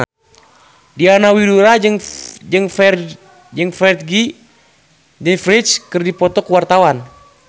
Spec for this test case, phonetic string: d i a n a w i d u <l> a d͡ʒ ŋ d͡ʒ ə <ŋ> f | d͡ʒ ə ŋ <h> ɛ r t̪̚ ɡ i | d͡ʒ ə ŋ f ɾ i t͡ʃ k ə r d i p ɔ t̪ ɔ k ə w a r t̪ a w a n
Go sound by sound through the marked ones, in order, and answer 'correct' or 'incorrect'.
incorrect: ɾ, correct, incorrect: f

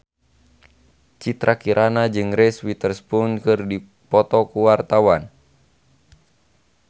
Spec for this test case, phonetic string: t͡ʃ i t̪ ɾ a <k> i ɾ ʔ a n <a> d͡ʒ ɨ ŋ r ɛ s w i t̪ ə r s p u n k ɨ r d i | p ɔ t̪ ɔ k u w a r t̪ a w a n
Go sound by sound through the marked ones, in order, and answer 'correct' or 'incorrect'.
correct, correct

